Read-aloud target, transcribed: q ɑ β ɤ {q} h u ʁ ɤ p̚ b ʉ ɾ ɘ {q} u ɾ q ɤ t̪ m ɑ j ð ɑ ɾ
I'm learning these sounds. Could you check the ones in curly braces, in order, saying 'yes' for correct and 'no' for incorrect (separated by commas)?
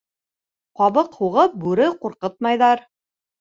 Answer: yes, yes